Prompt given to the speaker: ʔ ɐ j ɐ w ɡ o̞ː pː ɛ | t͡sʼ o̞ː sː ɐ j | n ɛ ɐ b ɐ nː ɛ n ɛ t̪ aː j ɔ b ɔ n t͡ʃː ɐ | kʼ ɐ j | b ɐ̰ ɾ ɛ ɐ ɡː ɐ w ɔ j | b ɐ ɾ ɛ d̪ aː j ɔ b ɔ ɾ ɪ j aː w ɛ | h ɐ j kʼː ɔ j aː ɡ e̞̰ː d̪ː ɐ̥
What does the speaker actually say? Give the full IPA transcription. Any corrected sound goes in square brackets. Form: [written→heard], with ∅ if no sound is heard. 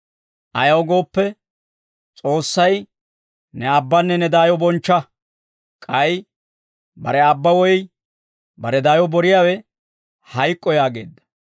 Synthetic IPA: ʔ ɐ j ɐ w ɡ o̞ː pː ɛ | t͡sʼ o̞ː sː ɐ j | n ɛ ɐ [b→bː] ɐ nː ɛ n ɛ [t̪→d̪] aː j ɔ b ɔ n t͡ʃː ɐ | kʼ ɐ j | b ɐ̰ ɾ ɛ ɐ [ɡː→bː] ɐ w ɔ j | b ɐ ɾ ɛ d̪ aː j ɔ b ɔ ɾ ɪ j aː w ɛ | h ɐ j kʼː ɔ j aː ɡ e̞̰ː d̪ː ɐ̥